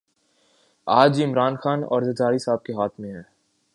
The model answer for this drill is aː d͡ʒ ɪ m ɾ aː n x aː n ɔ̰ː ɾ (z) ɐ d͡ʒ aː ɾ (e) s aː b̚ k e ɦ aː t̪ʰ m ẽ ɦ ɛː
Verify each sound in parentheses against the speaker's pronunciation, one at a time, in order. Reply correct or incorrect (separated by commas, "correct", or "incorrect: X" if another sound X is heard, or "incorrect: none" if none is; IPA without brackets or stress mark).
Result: correct, incorrect: i